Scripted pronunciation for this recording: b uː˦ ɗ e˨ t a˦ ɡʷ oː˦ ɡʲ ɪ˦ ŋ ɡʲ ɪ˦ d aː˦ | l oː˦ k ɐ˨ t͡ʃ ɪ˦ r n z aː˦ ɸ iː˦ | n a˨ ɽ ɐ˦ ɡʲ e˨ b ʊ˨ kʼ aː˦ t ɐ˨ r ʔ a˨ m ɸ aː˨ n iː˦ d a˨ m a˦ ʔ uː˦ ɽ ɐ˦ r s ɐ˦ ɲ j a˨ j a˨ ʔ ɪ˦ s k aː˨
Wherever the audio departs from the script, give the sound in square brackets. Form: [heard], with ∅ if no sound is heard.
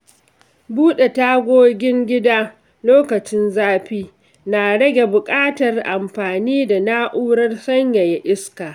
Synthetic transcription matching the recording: b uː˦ ɗ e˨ t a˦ ɡʷ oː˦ ɡʲ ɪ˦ ŋ ɡʲ ɪ˦ d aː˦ | l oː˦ k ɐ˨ t͡ʃ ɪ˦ [∅] n z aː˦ ɸ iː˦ | n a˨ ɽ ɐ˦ ɡʲ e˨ b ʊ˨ kʼ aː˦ t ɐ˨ r ʔ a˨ m ɸ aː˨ n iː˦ d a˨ [n] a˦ ʔ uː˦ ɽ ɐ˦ r s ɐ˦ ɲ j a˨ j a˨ ʔ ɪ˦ s k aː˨